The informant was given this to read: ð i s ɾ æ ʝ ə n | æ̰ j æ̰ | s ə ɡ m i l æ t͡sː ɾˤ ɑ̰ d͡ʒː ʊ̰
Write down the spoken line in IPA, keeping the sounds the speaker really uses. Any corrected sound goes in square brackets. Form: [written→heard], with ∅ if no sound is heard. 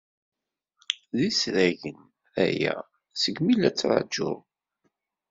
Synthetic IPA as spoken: ð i s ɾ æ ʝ ə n | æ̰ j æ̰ | s ə ɡ m i l æ t͡sː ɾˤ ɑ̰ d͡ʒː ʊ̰

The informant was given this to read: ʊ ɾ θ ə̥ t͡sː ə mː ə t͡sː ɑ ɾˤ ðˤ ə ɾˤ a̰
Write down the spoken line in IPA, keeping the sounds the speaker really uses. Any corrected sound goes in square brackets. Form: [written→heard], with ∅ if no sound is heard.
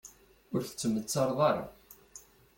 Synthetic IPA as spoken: ʊ ɾ θ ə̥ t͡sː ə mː ə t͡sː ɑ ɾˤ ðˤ [ə→ɑ] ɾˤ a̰

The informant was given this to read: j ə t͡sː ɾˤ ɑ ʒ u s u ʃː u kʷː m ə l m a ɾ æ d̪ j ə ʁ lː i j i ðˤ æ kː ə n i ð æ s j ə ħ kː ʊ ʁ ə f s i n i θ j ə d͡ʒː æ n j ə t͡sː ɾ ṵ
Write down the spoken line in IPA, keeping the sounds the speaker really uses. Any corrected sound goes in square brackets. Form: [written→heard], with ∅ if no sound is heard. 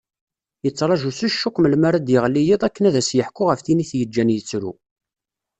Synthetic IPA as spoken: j ə t͡sː ɾˤ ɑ ʒ u s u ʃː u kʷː m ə l m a ɾ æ d̪ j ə ʁ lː i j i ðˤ æ kː ə n [i→æ] ð æ s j ə ħ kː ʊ ʁ ə f [s→θ] i n i θ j ə d͡ʒː æ n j ə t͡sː ɾ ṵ

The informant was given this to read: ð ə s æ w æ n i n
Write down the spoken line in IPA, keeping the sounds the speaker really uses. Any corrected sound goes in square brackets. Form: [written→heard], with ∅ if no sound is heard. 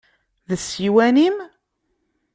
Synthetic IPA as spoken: ð ə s [æ→i] w æ n i [n→m]

